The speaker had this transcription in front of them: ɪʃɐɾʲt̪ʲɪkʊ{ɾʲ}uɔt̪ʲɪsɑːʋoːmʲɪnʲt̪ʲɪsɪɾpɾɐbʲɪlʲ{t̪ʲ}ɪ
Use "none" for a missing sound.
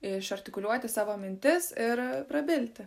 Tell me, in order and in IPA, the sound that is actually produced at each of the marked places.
lʲ, t̪ʲ

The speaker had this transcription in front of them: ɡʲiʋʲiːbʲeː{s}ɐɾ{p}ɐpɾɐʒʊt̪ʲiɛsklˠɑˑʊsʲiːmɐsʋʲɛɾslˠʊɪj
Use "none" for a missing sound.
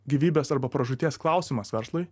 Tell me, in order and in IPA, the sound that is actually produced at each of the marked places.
s, b

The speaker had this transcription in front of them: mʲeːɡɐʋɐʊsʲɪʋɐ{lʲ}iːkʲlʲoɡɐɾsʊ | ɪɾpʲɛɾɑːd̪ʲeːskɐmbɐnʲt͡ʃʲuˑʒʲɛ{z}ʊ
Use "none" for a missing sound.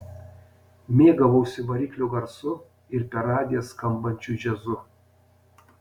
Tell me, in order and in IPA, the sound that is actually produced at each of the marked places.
ɾʲ, z

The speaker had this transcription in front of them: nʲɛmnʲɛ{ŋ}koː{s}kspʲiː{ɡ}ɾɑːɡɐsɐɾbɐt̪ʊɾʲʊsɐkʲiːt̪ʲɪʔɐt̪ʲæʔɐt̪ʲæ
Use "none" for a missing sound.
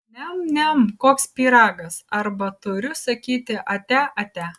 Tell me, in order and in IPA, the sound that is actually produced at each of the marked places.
m, none, none

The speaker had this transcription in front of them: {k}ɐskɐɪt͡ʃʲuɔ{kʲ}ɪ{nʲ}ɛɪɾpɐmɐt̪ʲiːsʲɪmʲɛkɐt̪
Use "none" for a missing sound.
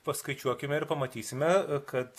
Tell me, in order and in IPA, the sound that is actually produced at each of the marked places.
p, kʲ, mʲ

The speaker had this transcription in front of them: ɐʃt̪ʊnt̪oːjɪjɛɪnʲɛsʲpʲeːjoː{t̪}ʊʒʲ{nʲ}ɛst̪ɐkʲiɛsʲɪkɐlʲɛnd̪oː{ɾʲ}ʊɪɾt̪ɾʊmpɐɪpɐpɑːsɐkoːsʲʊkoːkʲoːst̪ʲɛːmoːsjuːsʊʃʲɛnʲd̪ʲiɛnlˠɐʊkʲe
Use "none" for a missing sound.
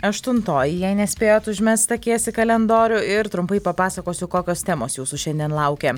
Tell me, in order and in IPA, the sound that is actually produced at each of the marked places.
t̪, mʲ, ɾʲ

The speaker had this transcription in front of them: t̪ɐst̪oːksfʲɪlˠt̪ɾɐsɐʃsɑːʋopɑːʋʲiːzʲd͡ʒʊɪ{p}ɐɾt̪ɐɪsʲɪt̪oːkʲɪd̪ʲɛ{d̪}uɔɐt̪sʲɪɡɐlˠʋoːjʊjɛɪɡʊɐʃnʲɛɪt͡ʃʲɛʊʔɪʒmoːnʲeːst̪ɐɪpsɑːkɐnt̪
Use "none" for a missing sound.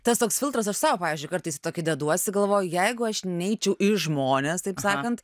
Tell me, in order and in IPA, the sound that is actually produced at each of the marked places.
k, d̪

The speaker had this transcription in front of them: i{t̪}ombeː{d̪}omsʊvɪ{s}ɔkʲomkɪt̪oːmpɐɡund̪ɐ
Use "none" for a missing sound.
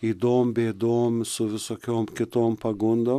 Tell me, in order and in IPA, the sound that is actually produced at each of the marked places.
d̪, d̪, s

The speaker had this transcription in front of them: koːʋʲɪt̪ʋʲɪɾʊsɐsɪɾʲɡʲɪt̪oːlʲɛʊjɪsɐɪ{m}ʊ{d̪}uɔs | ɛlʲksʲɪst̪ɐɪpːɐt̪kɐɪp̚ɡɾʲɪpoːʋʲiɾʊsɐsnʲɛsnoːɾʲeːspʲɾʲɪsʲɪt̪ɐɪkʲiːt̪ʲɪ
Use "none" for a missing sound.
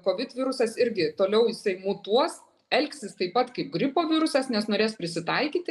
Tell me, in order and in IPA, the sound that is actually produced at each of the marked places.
m, t̪

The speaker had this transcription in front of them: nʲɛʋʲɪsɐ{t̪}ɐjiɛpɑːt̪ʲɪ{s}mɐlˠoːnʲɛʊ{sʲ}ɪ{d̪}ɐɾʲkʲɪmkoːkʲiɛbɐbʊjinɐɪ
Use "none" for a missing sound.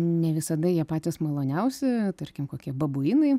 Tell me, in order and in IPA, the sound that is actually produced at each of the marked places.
d̪, s, sʲ, t̪

